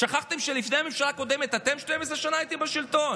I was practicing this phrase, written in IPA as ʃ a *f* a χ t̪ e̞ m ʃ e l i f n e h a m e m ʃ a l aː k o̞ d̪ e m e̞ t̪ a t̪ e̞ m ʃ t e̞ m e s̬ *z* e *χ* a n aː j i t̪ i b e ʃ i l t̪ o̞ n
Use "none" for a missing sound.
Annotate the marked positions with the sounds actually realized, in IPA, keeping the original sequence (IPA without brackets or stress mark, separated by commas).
χ, ʁ, ʃ